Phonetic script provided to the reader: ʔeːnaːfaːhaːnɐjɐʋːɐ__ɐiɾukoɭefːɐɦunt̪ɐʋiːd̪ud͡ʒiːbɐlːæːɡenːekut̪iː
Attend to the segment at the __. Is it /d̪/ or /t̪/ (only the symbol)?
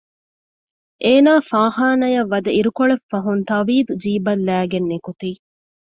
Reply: d̪